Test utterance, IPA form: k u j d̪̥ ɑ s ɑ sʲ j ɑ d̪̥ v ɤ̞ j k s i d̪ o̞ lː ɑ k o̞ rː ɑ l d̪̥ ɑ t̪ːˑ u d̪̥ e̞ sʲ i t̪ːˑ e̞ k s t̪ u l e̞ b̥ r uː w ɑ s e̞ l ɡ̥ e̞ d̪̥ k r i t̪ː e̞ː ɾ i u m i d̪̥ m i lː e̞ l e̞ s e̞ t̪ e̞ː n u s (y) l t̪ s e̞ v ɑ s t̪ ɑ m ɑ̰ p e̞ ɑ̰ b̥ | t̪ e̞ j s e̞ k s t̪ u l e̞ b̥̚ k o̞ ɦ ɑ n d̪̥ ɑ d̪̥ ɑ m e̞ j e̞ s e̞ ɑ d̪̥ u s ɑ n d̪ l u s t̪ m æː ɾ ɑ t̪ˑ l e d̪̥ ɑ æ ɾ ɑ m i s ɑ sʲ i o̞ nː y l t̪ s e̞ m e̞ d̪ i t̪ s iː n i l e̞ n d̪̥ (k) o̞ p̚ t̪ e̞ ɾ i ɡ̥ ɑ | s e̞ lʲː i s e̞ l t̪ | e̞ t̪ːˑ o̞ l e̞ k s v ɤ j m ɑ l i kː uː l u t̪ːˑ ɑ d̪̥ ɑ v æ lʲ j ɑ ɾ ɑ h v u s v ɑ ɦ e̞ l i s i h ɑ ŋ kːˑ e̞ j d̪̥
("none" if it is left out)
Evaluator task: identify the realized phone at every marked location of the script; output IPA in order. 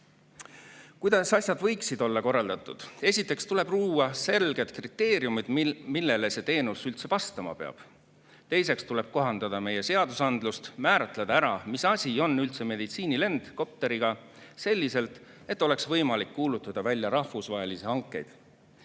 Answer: y, k

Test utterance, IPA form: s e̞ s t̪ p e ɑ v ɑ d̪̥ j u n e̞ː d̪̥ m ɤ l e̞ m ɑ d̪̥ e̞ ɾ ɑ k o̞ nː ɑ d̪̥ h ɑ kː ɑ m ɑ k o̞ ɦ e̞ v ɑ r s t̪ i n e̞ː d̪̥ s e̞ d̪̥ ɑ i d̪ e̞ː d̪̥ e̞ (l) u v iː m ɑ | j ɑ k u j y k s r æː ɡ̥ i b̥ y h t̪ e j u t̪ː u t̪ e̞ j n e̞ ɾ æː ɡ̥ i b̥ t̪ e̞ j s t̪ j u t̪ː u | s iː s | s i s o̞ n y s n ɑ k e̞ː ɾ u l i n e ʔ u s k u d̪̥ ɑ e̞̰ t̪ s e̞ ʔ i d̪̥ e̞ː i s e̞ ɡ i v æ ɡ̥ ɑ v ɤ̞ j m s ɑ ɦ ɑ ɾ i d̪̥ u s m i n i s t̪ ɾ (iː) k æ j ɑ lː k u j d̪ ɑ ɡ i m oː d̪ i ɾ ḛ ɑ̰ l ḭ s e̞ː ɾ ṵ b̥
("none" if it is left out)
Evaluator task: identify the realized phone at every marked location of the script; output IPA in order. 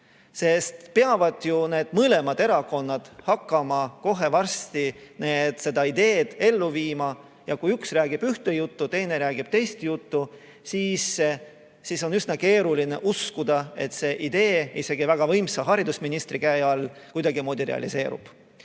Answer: lː, i

